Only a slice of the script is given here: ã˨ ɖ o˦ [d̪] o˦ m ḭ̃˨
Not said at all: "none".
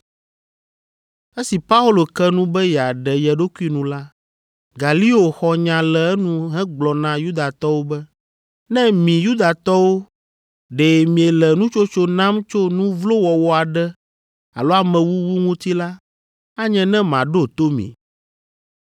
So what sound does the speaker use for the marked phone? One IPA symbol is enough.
t̪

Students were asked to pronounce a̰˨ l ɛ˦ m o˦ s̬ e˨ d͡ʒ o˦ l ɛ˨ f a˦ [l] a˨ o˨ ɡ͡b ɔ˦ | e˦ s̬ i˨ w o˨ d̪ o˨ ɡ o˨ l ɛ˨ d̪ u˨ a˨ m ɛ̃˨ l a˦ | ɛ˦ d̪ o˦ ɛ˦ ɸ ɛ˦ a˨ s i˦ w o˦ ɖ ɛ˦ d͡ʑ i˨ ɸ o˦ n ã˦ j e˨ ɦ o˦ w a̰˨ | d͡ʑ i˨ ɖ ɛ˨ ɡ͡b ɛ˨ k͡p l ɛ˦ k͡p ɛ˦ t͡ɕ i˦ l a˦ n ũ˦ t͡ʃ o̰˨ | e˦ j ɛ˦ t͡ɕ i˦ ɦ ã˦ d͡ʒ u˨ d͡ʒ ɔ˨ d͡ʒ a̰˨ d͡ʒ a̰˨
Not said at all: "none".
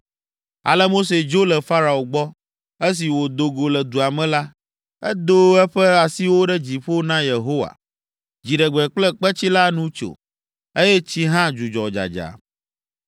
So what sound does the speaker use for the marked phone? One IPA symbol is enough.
ɾ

